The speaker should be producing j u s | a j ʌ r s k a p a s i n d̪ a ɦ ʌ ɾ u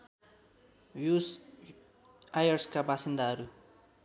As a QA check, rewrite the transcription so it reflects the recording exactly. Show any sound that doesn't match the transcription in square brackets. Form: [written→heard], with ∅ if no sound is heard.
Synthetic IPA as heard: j u s | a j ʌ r s k a [p→b] a s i n d̪ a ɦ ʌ ɾ u